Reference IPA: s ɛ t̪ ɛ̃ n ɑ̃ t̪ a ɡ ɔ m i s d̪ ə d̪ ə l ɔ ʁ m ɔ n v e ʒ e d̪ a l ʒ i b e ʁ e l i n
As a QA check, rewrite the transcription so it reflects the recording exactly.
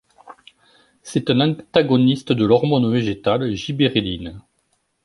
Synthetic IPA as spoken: s ɛ t̪ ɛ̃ n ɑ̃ t̪ a ɡ ɔ n i s t̪ ə d̪ ə l ɔ ʁ m ɔ n v e ʒ e t̪ a l ʒ i b e ʁ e l i n